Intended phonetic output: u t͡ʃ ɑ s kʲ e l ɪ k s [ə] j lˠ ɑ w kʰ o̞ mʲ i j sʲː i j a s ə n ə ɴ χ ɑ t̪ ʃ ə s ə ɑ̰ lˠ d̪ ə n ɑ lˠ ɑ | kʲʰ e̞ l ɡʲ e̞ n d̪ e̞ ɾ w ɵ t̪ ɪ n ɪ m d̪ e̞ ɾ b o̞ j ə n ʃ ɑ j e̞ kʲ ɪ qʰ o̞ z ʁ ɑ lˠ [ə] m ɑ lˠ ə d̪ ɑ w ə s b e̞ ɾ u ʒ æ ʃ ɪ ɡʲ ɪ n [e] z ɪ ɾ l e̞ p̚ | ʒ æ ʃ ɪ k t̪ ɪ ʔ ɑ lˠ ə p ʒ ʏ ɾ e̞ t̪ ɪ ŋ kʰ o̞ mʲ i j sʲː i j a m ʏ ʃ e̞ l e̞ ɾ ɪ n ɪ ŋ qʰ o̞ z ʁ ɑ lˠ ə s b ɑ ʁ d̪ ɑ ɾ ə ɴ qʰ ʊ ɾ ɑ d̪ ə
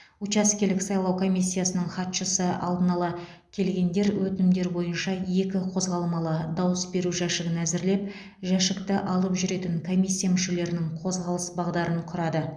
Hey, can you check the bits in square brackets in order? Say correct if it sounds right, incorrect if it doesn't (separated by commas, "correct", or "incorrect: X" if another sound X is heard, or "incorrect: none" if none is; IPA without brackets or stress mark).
incorrect: ɑ, correct, incorrect: æ